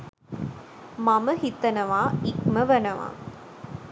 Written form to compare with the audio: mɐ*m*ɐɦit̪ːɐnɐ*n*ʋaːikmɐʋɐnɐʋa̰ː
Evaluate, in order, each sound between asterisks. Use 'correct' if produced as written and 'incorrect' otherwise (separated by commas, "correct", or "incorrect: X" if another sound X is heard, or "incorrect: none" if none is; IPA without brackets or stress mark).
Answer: correct, incorrect: none